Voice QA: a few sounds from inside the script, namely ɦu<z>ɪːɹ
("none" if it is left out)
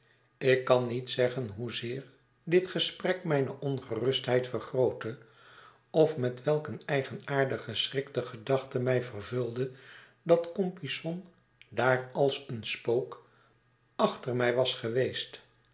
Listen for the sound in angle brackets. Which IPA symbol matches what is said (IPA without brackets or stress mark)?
z